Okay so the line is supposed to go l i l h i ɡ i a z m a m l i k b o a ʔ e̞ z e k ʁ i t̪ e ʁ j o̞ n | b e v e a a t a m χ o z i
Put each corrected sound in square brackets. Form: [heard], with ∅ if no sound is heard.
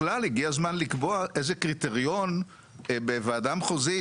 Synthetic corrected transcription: l [a] l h i ɡ i a z m a [n] l i k b o a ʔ e̞ z e k ʁ i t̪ e ʁ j o̞ n | b e v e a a [d] a m χ o z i